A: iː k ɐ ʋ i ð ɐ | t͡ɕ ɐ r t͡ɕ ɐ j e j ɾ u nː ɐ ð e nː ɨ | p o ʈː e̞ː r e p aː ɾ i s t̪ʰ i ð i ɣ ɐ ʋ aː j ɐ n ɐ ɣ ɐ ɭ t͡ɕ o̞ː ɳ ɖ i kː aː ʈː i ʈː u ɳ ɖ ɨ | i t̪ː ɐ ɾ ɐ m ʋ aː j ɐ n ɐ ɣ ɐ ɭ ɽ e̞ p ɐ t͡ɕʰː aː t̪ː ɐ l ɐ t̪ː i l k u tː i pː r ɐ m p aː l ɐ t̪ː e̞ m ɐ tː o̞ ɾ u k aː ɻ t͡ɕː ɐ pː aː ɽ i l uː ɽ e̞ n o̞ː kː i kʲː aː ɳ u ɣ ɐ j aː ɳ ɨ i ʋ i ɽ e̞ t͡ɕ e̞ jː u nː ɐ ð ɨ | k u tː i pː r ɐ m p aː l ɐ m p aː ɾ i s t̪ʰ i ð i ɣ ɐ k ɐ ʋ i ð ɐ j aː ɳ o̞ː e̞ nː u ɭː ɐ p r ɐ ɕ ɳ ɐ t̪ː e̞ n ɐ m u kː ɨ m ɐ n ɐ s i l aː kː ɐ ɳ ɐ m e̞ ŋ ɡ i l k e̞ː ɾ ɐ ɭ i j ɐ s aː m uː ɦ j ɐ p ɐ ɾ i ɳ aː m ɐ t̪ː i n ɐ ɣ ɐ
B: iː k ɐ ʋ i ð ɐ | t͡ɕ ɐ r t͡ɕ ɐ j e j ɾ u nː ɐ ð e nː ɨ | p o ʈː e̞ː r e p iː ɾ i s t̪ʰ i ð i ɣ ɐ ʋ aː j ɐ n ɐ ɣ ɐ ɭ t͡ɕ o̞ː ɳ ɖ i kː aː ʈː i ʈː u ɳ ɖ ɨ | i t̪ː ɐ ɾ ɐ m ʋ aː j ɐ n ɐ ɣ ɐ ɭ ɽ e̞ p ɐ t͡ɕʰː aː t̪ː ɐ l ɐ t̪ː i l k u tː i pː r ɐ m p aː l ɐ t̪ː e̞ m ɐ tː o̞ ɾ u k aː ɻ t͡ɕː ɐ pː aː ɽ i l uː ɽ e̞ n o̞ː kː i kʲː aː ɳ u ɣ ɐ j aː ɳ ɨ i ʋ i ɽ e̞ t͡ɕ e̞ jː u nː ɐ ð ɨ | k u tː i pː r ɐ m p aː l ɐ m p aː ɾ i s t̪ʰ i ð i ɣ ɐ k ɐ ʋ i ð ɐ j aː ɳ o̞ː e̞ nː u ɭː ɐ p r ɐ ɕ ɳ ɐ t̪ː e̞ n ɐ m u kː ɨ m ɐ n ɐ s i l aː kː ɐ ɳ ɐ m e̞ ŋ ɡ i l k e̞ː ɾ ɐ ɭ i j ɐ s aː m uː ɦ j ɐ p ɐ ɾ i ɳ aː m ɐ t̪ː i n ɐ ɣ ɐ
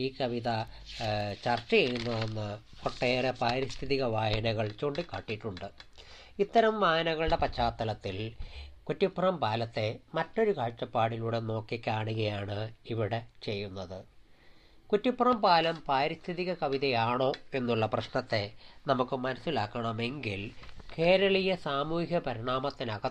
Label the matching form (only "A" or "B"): A